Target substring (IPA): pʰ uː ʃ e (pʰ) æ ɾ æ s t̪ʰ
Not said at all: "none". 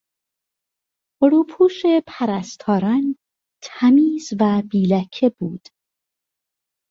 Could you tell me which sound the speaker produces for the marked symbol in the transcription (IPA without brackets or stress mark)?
pʰ